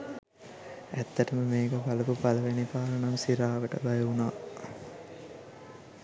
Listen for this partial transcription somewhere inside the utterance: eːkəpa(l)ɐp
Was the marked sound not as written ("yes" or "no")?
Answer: no